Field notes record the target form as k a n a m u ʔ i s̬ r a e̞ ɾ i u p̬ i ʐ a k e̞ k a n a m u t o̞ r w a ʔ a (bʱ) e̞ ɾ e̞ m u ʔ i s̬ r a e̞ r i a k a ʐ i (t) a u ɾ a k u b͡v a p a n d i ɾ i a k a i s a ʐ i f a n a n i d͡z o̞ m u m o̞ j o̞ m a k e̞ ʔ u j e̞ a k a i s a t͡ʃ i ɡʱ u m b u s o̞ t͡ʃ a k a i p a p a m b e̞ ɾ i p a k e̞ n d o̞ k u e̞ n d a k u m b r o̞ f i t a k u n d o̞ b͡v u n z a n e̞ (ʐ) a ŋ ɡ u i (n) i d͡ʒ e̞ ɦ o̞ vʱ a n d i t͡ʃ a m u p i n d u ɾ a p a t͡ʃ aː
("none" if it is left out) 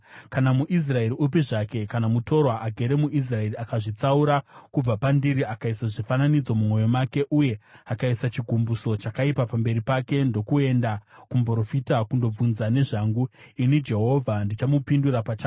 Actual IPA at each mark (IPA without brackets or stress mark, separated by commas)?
ɡʱ, t͡s, ʐ, n